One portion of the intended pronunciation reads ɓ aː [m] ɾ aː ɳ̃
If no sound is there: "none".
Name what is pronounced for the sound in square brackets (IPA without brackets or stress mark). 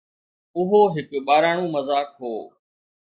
none